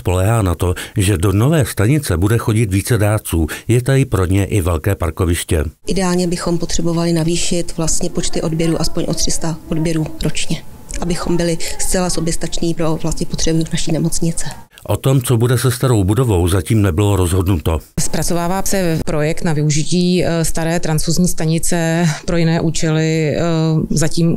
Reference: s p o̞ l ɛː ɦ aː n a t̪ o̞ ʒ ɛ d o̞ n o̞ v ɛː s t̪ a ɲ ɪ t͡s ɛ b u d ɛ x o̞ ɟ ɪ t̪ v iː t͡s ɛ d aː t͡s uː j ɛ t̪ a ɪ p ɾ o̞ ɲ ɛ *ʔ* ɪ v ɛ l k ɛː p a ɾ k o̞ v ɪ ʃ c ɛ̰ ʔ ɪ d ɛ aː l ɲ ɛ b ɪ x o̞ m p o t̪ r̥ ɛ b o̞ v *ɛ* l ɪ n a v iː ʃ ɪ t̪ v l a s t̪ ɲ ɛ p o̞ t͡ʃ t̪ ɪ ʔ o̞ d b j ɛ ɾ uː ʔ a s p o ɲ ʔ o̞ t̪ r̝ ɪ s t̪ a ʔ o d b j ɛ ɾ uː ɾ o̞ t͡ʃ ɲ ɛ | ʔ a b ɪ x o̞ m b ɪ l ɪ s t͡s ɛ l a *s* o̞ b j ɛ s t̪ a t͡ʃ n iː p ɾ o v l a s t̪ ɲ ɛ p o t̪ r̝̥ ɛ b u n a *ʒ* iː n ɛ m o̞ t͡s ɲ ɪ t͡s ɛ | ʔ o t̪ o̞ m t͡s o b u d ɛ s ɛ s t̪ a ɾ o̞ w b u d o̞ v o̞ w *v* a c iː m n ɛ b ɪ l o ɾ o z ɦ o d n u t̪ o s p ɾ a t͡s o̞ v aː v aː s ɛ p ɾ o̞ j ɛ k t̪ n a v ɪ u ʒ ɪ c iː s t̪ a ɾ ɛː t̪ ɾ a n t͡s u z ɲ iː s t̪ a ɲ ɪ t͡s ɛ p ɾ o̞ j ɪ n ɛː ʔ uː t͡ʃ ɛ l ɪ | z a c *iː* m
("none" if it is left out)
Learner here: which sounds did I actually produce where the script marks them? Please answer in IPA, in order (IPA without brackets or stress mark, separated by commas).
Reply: ʔ, a, s, ʃ, z, iː